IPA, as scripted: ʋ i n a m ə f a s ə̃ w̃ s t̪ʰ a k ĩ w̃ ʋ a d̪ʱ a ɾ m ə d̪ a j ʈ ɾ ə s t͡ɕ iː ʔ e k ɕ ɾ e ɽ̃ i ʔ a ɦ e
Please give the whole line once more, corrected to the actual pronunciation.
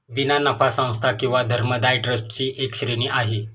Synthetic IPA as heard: ʋ i n a n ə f a s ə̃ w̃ s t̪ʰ a k ĩ w̃ ʋ a d̪ʱ ə ɾ m ə d̪ a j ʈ ɾ ə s t͡ɕ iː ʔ e k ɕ ɾ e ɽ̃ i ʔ a ɦ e